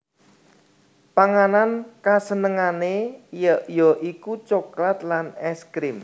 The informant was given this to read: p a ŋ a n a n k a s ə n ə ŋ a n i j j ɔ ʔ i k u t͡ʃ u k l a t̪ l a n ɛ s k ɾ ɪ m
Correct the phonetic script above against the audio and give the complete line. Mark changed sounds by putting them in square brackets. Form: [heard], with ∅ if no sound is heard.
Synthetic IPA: p a ŋ a n a n k a s ə n ə ŋ a n [e] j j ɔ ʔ i k u t͡ʃ [o] k l a t̪ l a n ɛ s k ɾ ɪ m